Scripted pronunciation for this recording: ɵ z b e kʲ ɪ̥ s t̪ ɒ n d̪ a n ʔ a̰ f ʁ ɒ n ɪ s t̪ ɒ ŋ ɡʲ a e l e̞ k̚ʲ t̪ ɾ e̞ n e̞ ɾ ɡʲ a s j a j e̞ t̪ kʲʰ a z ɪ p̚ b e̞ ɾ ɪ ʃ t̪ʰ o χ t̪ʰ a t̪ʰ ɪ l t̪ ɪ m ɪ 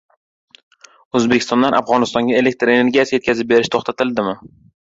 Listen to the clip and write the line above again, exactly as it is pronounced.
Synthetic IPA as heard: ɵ z b e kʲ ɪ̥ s t̪ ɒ n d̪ a n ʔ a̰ f ʁ ɒ n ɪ s t̪ ɒ ŋ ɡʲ a e l e̞ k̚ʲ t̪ ɾ e̞ n e̞ ɾ ɡʲ a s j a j e̞ t̪ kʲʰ a z ɪ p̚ b e̞ ɾ ɪ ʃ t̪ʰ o χ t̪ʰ a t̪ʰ ɪ l d̪ ɪ m ɪ